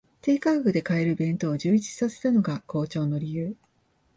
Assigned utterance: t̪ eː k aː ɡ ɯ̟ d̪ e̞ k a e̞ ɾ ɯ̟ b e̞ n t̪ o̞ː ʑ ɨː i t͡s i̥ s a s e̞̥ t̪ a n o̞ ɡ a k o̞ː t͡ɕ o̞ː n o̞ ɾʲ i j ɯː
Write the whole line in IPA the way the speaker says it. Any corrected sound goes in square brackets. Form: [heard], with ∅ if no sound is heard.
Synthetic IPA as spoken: t̪ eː k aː ɡ ɯ̟ d̪ e̞ k a e̞ ɾ ɯ̟ b [ẽ̞] n t̪ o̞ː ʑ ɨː i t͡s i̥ s a s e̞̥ t̪ a n o̞ ɡ a k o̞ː t͡ɕ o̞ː n o̞ ɾʲ i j ɯː